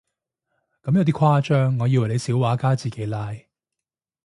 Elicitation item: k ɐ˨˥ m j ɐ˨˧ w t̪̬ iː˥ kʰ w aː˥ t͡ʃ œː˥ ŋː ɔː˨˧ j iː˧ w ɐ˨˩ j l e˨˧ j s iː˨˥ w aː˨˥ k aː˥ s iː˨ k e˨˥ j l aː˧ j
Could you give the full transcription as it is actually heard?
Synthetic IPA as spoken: k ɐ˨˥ m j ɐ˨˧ w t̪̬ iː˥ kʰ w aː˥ t͡ʃ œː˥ ŋː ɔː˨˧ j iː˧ w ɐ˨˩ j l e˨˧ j s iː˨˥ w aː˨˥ k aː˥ t͡s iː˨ k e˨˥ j l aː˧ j